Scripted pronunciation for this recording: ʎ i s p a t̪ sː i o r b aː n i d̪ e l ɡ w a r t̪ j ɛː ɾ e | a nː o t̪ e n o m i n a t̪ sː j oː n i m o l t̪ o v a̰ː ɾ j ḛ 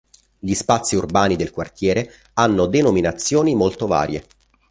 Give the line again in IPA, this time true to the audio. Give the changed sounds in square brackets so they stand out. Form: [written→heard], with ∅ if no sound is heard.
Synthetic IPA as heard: ʎ i s p a t̪ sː i [o→u] r b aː n i d̪ e l [ɡ→k] w a r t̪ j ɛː ɾ e | a nː o [t̪→d̪] e n o m i n a t̪ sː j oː n i m o l t̪ o v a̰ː ɾ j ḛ